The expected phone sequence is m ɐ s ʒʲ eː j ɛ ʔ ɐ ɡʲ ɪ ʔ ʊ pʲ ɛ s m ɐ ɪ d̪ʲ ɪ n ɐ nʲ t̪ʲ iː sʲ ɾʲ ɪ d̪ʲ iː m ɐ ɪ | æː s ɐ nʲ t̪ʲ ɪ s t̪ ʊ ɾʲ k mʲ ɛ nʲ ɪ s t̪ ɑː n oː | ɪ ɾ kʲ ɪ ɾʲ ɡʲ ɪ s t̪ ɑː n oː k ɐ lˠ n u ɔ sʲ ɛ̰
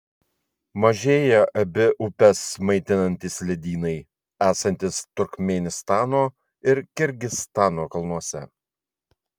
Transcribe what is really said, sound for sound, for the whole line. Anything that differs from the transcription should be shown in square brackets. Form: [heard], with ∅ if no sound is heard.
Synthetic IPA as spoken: m ɐ [∅] ʒʲ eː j ɛ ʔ ɐ [bʲ] ɪ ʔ ʊ pʲ ɛ s m ɐ ɪ [t̪ʲ] ɪ n ɐ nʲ t̪ʲ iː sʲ [lʲ] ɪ d̪ʲ iː [n] ɐ ɪ | æː s ɐ nʲ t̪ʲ ɪ s t̪ ʊ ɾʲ k mʲ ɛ nʲ ɪ s t̪ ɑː n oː | ɪ ɾ kʲ ɪ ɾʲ ɡʲ ɪ s t̪ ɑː n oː k ɐ lˠ n u ɔ sʲ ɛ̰